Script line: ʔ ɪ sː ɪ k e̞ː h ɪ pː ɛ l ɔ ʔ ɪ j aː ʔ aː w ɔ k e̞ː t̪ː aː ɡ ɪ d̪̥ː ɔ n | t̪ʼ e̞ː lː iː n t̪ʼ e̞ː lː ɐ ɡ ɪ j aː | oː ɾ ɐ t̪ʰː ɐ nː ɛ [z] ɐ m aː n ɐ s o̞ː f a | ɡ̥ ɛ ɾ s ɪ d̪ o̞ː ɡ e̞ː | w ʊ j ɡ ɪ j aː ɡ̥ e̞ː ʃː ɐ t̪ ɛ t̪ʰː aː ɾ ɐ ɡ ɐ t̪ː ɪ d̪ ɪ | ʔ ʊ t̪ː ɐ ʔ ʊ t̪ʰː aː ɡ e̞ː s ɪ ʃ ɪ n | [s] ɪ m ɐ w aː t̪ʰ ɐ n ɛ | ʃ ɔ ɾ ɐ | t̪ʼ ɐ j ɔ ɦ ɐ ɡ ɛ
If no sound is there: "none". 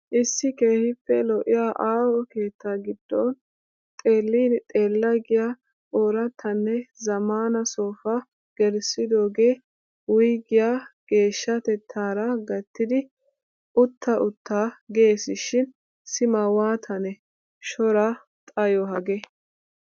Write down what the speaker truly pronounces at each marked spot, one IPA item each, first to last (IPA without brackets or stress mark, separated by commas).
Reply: z, s